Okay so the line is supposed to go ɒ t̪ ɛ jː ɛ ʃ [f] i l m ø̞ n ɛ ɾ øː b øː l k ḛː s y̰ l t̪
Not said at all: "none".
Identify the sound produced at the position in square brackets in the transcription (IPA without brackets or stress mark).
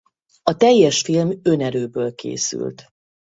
f